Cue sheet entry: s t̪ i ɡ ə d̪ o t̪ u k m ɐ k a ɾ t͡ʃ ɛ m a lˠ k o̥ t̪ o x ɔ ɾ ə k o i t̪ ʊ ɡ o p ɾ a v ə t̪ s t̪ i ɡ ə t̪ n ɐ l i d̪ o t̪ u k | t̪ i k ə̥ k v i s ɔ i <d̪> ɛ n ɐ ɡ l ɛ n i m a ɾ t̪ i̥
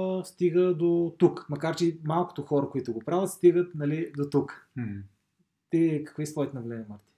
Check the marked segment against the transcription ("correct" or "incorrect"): incorrect